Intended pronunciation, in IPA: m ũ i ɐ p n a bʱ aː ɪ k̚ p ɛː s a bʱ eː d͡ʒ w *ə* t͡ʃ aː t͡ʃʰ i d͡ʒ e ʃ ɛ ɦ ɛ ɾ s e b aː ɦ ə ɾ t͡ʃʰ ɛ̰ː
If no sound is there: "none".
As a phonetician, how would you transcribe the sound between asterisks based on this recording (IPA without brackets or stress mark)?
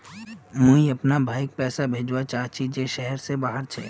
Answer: a